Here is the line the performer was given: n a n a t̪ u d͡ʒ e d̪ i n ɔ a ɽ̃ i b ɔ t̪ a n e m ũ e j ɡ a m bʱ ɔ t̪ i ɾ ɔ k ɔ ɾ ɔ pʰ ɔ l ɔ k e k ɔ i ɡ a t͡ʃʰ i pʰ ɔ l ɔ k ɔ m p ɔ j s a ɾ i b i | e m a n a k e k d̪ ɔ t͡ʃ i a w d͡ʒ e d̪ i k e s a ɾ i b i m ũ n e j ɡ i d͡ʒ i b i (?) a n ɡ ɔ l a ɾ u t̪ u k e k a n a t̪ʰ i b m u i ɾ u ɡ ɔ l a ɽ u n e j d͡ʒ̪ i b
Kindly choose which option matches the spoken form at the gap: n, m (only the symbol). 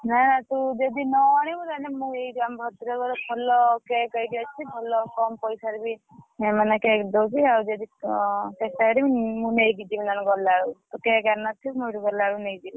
n